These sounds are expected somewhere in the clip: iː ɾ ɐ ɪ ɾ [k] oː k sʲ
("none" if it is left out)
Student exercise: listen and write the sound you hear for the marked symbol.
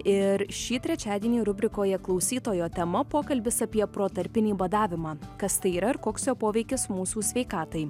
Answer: k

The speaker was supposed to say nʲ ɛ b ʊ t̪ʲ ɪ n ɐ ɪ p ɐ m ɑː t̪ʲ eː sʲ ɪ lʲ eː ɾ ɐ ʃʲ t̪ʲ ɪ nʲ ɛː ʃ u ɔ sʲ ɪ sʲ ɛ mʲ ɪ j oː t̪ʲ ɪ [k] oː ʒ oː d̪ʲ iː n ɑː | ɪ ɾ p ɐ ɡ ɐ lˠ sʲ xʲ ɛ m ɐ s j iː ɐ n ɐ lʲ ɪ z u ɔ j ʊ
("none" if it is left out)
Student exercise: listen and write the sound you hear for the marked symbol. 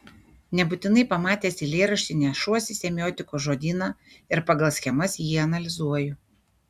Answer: k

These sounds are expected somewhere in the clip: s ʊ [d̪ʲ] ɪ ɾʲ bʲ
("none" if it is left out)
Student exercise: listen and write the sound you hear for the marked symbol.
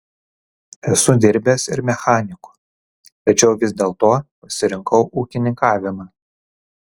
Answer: d̪ʲ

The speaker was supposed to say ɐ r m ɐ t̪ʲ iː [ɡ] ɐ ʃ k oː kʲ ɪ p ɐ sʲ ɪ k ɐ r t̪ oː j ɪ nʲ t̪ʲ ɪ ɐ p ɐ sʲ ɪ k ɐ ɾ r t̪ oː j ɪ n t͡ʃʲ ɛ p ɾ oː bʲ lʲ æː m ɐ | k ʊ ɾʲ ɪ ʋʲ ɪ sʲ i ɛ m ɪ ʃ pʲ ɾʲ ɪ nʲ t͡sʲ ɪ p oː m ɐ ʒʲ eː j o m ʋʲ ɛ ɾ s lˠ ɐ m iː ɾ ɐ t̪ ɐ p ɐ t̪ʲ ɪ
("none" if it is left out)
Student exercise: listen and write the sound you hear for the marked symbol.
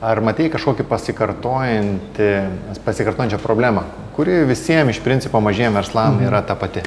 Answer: k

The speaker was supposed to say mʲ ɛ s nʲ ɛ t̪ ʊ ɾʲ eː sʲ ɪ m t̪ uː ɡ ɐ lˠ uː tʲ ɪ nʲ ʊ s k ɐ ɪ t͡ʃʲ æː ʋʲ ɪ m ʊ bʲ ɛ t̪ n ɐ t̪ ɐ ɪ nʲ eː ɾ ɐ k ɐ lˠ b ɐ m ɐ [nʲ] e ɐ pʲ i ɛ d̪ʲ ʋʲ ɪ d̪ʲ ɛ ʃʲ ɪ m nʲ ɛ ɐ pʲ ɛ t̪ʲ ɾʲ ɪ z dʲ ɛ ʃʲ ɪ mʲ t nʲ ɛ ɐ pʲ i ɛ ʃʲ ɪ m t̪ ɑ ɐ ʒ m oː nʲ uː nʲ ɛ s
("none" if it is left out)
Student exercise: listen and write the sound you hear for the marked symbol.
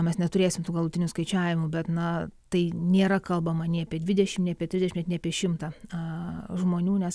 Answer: nʲ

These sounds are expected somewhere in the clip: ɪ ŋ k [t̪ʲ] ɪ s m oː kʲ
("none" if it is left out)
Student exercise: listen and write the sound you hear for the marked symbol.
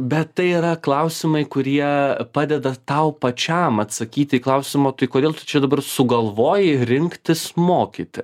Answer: t̪ʲ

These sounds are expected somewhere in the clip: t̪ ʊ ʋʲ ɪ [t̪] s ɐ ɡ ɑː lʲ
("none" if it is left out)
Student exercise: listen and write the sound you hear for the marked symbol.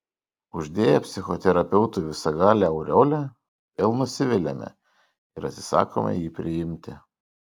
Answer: none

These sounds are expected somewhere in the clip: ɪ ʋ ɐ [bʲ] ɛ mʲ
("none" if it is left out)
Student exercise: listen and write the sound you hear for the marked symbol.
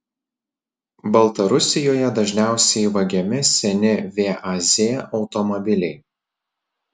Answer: ɡʲ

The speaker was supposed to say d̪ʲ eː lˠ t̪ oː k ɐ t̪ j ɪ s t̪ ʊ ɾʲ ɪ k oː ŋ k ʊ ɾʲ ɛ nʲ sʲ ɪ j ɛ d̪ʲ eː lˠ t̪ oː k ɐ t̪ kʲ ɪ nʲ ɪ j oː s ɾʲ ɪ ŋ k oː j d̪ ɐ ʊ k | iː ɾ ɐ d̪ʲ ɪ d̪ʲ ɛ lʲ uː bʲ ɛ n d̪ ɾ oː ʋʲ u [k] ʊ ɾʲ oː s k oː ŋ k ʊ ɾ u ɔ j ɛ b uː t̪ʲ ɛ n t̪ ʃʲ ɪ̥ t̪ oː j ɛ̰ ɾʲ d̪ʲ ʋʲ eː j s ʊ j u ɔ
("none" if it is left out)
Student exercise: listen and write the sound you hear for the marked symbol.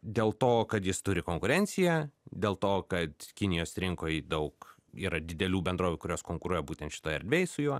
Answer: k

